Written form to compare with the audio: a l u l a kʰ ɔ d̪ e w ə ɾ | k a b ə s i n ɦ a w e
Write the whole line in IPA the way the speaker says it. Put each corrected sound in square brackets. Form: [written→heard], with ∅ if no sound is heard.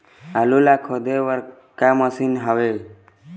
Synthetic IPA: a l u l a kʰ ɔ d̪ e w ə ɾ | k a [b→m] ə s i n ɦ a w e